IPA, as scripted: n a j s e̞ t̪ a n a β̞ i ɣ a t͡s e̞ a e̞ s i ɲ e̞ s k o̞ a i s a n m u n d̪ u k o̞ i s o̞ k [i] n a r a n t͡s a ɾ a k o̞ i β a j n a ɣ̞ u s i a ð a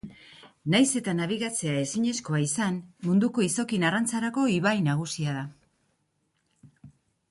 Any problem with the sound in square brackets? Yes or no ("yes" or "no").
no